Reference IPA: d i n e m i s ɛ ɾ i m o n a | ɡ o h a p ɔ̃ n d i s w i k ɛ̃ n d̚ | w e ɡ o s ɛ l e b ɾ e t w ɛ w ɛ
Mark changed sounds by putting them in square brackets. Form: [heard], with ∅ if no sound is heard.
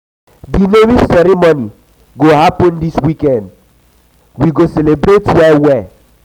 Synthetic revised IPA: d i n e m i s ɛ ɾ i m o n [i] | ɡ o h a p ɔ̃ n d i s w i k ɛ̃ n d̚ | w [i] ɡ o s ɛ l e b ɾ e t w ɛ w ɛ